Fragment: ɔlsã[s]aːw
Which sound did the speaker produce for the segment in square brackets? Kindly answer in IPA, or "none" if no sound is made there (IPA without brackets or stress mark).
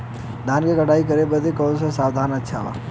s